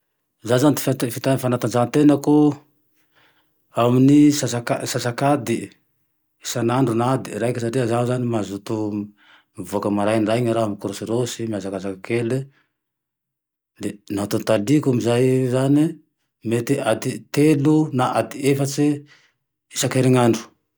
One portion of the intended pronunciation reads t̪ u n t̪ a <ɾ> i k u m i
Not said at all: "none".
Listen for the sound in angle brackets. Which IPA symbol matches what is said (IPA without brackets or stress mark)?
l